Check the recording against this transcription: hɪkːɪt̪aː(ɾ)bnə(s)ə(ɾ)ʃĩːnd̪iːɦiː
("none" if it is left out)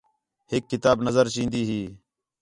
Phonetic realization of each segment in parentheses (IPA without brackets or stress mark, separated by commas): none, z, ɾ